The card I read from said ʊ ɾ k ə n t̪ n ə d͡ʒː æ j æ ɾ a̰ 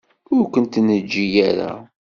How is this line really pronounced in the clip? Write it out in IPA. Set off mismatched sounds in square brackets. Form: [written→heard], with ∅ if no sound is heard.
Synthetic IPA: ʊ ɾ k ə n t̪ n ə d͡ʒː [æ→i] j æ ɾ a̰